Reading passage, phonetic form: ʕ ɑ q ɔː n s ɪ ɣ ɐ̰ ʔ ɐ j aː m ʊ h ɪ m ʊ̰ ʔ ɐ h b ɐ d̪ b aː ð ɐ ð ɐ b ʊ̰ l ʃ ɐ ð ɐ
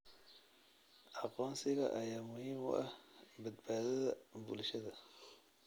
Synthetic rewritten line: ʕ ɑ q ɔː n s ɪ ɣ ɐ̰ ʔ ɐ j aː m ʊ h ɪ m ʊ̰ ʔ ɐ h b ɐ d̪ b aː ð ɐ ð ɐ b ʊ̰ l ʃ ɐ ð ɐ